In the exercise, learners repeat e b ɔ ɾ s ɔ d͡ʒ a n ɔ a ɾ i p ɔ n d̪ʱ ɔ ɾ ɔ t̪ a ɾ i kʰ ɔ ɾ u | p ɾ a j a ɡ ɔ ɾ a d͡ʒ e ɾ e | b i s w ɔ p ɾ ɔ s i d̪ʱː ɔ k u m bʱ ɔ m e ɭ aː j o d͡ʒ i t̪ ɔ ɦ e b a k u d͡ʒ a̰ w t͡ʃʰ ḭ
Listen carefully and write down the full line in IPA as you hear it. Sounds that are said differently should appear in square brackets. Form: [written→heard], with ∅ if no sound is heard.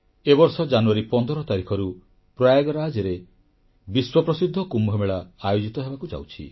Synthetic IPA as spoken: e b ɔ ɾ s ɔ d͡ʒ a n [ɔ→u] a ɾ i p ɔ n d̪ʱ ɔ ɾ ɔ t̪ a ɾ i kʰ ɔ ɾ u | p ɾ a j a ɡ ɔ ɾ a d͡ʒ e ɾ e | b i s w ɔ p ɾ ɔ s i d̪ʱː ɔ k u m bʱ ɔ m e ɭ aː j o d͡ʒ i t̪ ɔ ɦ e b a k u d͡ʒ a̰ w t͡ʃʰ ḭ

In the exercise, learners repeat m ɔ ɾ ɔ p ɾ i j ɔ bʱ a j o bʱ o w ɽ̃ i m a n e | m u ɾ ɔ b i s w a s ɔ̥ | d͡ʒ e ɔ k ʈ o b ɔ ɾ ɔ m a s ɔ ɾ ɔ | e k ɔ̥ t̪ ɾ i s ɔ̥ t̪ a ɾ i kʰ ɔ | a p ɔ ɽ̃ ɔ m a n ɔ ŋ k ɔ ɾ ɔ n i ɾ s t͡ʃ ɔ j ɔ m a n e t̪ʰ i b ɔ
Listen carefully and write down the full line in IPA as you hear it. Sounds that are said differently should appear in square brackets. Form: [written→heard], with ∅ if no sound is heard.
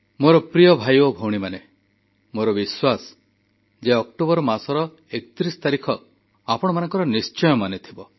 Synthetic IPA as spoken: m [ɔ→o] ɾ ɔ p ɾ i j ɔ bʱ a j o bʱ o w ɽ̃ i m a n e | m [u→o] ɾ ɔ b i s w a s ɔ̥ | d͡ʒ e ɔ k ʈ o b ɔ ɾ ɔ m a s ɔ ɾ ɔ | e k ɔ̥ t̪ ɾ i s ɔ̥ t̪ a ɾ i kʰ ɔ | a p ɔ ɽ̃ ɔ m a n ɔ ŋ k ɔ ɾ ɔ n i [ɾ→∅] s t͡ʃ ɔ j ɔ m a n e t̪ʰ i b ɔ

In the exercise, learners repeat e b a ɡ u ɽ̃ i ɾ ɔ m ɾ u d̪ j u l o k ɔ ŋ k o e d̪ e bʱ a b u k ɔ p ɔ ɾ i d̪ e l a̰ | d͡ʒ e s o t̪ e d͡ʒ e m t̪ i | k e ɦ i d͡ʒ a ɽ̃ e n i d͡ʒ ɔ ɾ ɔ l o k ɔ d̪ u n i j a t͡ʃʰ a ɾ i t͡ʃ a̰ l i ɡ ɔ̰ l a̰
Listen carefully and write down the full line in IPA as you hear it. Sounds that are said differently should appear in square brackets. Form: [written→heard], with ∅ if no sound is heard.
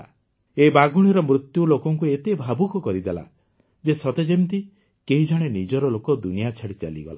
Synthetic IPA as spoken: e b a ɡ u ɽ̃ i ɾ ɔ m ɾ u [d̪→t̪] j u l o k ɔ ŋ k [o→u] e [d̪→t̪] e bʱ a b u k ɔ [p→k] ɔ ɾ i d̪ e l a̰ | d͡ʒ e s [o→ɔ] t̪ e d͡ʒ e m t̪ i | k e ɦ i d͡ʒ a ɽ̃ e n i d͡ʒ ɔ ɾ ɔ l o k ɔ d̪ u n i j a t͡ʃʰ a [ɾ→ɽ] i t͡ʃ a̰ l i ɡ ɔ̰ l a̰

